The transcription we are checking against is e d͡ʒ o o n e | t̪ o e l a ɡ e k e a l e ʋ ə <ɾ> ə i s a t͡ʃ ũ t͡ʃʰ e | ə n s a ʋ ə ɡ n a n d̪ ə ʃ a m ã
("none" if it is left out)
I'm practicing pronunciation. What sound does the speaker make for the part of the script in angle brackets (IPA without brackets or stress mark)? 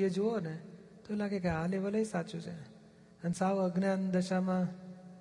l